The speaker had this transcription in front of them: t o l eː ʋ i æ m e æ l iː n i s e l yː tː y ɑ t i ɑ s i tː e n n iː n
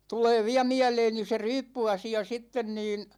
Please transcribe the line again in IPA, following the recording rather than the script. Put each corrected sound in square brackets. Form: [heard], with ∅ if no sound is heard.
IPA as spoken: t [u] l eː ʋ i æ m [i] æ l [eː] n i s e [r] yː [pː] y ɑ [s] i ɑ s i tː e n n iː n